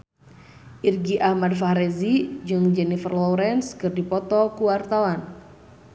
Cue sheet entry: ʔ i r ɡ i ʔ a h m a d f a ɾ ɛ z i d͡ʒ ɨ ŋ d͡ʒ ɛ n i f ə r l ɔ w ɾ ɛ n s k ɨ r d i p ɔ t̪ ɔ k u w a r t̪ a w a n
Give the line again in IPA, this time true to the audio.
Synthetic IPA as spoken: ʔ i r ɡ i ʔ a h m a d f a ɾ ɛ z i d͡ʒ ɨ ŋ d͡ʒ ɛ n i f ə r l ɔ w ɾ ɛ n s k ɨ r d i p ɔ t̪ ɔ k u w a r t̪ a w a n